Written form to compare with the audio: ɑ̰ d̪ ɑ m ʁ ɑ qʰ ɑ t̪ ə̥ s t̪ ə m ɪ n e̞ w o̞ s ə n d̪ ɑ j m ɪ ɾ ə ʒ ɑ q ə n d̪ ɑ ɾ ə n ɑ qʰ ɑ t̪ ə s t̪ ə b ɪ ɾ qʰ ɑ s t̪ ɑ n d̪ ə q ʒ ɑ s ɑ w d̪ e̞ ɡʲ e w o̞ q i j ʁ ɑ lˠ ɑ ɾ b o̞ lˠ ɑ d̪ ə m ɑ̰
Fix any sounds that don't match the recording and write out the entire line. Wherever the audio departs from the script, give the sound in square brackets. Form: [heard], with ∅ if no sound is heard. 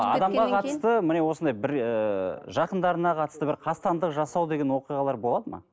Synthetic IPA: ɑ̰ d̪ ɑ m ʁ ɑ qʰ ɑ t̪ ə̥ s t̪ ə m ɪ n e̞ w o̞ s ə n d̪ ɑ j [b] ɪ ɾ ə ʒ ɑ q ə n d̪ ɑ ɾ ə n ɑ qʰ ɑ t̪ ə s t̪ ə b ɪ ɾ qʰ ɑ s t̪ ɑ n d̪ ə q ʒ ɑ s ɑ w d̪ e̞ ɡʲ e w o̞ q i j ʁ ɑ lˠ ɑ ɾ b o̞ lˠ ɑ d̪ ə m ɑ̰